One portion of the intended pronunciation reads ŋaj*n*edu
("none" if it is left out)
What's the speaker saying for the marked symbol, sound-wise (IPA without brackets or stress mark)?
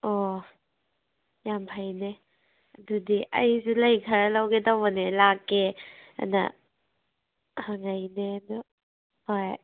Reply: n